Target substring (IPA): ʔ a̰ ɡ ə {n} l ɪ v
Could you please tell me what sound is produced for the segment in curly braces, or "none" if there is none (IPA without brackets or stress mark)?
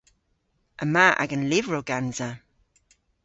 n